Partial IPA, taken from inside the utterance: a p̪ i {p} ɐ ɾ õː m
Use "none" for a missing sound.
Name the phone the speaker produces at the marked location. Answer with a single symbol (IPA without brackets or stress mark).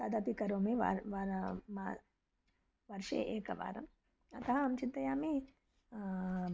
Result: k